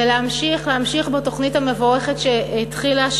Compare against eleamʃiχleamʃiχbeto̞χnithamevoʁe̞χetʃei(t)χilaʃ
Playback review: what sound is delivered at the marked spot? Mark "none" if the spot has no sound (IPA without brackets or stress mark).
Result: t